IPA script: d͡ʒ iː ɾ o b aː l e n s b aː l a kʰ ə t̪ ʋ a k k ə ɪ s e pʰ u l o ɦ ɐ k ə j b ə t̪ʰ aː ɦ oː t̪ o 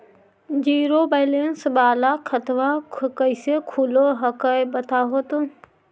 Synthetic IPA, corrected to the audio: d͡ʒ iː ɾ o b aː l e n s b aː l a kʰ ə t̪ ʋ a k k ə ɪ s e kʰ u l o ɦ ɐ k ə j b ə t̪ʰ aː ɦ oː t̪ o